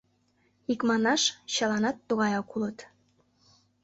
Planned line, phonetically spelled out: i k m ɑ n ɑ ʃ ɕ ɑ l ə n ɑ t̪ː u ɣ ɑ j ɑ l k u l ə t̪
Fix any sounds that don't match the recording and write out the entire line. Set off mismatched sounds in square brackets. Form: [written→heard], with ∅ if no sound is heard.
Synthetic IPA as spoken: i k m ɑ n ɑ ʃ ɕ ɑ l [ə→ɑ] n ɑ t̪ː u ɣ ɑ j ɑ [l→∅] k u l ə t̪